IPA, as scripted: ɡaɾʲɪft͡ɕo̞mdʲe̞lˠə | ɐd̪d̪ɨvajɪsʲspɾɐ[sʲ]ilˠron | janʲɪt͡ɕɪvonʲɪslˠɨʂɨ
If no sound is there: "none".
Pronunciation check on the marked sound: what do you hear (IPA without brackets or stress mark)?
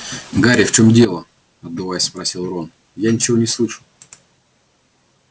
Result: sʲ